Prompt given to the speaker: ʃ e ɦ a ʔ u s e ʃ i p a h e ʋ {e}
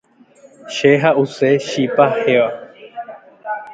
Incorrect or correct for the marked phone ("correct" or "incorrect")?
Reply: incorrect